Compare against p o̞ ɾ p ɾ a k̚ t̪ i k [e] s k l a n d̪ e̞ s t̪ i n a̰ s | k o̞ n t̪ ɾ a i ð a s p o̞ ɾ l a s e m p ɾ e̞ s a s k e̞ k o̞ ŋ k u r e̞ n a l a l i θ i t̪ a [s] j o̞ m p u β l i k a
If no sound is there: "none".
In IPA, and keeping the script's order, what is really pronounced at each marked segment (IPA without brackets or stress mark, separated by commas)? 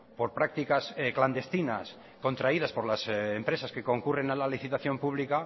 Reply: a, θ